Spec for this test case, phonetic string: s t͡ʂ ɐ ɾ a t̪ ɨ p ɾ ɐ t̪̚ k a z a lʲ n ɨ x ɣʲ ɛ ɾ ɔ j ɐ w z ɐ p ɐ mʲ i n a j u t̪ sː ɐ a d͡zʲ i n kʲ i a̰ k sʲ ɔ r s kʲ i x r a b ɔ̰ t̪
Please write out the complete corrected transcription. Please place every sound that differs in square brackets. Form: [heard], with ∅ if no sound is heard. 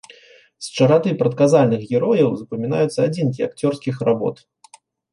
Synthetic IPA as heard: s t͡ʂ ɐ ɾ a t̪ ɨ p ɾ ɐ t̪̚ k a z a lʲ n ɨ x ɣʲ ɛ ɾ ɔ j ɐ w z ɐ p ɐ mʲ i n a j u t̪ sː ɐ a d͡zʲ i n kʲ i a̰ k [t͡sʲ] ɔ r s kʲ i x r a b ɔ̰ t̪